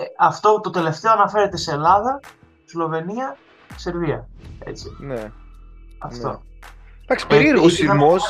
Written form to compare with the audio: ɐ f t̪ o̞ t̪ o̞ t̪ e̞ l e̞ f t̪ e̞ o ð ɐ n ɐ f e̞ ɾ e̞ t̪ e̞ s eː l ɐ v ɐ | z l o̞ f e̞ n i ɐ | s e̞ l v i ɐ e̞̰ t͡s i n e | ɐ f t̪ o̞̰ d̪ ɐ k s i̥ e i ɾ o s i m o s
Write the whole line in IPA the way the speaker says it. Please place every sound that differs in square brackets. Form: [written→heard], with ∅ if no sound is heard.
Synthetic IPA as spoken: ɐ f t̪ o̞ t̪ o̞ t̪ e̞ l e̞ f t̪ e̞ o [ð→∅] ɐ n ɐ f e̞ ɾ e̞ t̪ e̞ s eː l ɐ [v→ð] ɐ | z l o̞ [f→v] e̞ n i ɐ | s e̞ [l→ɾ] v i ɐ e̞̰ t͡s i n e | ɐ f t̪ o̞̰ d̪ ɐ k s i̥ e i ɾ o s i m o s